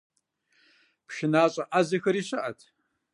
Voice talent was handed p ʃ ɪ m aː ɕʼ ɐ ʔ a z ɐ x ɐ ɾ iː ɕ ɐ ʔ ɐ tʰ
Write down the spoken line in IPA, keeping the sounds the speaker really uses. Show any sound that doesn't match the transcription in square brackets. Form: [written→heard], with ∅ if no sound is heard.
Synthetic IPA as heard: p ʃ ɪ [m→n] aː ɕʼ ɐ ʔ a z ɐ x ɐ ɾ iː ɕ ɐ ʔ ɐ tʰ